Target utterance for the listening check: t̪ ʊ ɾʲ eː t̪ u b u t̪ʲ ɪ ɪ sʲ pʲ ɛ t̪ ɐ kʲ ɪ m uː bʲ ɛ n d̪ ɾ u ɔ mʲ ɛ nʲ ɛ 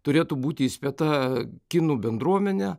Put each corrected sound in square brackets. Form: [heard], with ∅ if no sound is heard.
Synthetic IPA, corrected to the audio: t̪ ʊ ɾʲ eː t̪ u b [uː] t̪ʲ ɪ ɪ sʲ pʲ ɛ t̪ ɐ kʲ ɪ [n] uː bʲ ɛ n d̪ ɾ u ɔ mʲ ɛ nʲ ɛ